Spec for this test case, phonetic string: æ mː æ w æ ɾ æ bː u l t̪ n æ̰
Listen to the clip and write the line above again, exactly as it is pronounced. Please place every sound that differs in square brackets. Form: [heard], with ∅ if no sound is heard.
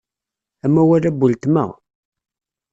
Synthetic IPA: æ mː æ w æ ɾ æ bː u l t̪ [m] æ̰